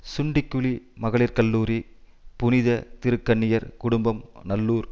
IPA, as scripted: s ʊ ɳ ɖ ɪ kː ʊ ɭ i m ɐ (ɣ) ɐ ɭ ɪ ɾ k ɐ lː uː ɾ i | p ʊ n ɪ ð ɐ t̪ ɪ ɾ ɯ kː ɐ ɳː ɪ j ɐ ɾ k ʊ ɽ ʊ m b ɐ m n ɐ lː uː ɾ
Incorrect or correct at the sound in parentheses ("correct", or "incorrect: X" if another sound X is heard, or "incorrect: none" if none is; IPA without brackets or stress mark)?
correct